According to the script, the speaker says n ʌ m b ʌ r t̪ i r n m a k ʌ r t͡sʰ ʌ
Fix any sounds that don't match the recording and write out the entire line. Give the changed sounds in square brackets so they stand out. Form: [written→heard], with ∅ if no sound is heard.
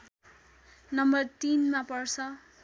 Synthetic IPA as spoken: n ʌ m b ʌ r t̪ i [r→∅] n m a [k→p] ʌ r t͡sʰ ʌ